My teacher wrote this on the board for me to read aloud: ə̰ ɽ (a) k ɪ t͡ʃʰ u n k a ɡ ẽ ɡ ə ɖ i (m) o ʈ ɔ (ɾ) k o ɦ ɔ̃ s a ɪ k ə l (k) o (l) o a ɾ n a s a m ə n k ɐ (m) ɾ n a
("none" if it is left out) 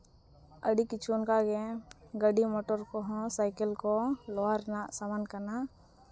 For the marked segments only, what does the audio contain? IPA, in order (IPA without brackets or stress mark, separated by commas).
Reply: i, m, ɾ, k, l, none